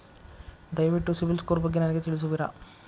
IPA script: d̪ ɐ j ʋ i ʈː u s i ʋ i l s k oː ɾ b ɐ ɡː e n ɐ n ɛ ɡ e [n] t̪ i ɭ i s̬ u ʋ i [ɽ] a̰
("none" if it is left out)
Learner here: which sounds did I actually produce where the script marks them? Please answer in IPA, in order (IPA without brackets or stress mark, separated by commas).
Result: none, ɾ